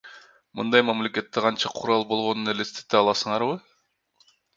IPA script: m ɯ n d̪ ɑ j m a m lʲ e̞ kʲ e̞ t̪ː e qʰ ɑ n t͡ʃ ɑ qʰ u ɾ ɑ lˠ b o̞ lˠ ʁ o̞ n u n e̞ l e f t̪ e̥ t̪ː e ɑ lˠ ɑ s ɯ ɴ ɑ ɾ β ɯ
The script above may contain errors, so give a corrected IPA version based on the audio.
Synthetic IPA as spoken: m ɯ n d̪ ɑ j m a m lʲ e̞ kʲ e̞ t̪ː e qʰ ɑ n t͡ʃ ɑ qʰ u ɾ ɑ lˠ b o̞ lˠ ʁ o̞ n u n e̞ l e s t̪ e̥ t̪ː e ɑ lˠ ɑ s ɯ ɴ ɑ ɾ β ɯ